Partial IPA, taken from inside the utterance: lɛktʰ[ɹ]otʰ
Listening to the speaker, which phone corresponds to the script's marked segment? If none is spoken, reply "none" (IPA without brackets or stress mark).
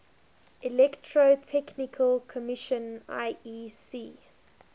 ɹ